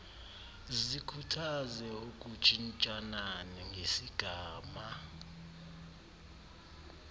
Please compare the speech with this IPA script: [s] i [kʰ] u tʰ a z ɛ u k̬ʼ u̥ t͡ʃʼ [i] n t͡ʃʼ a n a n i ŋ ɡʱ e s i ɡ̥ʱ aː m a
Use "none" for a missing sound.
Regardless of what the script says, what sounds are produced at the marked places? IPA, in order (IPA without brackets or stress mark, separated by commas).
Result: z, kʰ, i